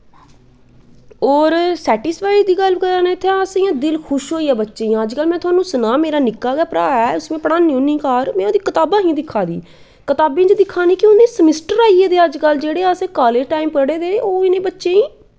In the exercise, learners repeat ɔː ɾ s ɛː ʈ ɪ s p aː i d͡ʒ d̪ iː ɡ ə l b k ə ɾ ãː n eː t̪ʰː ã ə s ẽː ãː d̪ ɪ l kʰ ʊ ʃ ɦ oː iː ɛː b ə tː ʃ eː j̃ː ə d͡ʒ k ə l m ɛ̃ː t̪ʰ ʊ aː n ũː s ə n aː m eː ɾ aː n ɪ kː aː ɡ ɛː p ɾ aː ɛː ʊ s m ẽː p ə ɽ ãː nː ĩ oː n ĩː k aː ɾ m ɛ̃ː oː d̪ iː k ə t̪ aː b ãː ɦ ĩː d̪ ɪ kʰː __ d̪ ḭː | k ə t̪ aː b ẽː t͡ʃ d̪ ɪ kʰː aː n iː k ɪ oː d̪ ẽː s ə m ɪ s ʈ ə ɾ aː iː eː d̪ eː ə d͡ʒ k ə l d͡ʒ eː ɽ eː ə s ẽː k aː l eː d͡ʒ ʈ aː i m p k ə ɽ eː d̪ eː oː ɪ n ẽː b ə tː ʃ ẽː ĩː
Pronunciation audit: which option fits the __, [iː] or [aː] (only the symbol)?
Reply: aː